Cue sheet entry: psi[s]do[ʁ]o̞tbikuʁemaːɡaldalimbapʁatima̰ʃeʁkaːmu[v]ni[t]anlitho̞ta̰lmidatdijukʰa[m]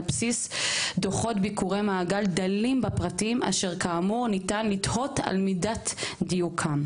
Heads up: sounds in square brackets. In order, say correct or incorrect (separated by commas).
correct, incorrect, incorrect, correct, correct